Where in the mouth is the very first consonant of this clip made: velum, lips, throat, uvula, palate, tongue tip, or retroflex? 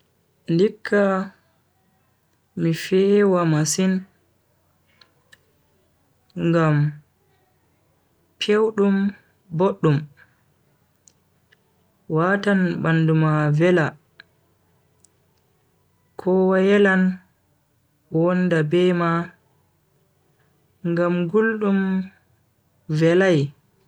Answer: tongue tip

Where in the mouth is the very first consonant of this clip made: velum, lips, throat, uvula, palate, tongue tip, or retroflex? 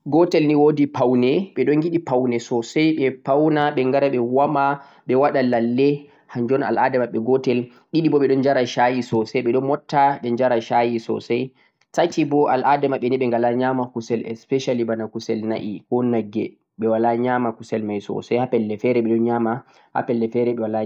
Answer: velum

